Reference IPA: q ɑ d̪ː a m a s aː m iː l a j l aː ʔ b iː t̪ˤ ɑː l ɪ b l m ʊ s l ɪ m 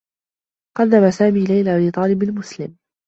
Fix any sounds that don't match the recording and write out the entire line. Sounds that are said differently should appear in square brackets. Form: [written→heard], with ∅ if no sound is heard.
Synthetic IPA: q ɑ d̪ː a m a s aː m iː l a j l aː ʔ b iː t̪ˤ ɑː l ɪ b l m ʊ s l ɪ m